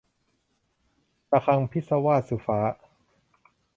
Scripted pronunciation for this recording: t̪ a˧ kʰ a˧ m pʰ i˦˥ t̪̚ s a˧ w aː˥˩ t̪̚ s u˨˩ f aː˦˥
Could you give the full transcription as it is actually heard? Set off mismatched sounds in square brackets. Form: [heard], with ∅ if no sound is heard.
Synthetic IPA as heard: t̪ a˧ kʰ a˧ [ŋ] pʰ i˦˥ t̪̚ s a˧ w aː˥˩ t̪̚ s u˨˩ f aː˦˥